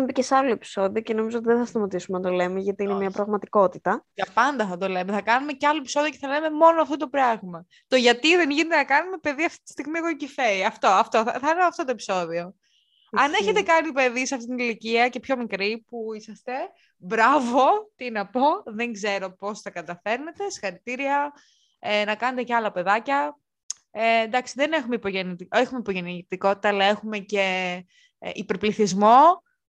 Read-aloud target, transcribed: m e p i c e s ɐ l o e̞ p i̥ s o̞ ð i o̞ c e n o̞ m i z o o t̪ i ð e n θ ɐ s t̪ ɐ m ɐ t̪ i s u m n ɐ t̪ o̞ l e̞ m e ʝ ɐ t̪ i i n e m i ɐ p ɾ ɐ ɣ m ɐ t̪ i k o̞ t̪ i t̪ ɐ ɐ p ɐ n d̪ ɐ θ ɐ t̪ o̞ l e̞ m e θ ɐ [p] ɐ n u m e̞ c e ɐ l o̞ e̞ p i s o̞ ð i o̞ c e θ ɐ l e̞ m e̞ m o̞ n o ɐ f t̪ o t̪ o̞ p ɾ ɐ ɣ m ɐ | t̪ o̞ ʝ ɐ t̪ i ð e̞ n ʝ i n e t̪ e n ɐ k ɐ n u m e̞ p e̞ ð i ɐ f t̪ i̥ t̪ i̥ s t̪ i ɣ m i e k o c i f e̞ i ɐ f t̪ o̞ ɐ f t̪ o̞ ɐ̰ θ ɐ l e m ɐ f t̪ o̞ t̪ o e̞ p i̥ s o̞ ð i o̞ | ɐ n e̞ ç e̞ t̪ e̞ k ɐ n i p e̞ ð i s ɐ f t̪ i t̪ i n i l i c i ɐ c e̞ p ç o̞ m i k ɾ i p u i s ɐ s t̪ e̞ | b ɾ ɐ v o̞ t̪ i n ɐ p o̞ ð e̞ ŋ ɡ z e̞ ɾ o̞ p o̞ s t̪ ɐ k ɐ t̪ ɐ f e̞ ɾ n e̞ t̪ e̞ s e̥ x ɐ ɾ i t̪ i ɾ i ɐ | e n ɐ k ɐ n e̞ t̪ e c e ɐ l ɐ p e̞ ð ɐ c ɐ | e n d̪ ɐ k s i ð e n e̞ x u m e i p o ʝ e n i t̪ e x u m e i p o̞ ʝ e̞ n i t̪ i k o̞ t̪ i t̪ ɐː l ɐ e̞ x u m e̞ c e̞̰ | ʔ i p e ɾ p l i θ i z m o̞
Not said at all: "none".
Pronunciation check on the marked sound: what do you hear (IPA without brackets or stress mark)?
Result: k